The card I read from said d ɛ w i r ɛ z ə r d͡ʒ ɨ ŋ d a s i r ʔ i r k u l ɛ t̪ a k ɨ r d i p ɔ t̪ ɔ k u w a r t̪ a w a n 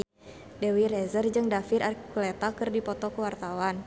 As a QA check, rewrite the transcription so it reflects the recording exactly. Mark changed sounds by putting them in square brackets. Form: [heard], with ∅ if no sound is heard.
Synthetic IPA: d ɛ w i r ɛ z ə r d͡ʒ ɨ ŋ d a [f] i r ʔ [a] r k u l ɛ t̪ a k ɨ r d i p ɔ t̪ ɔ k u w a r t̪ a w a n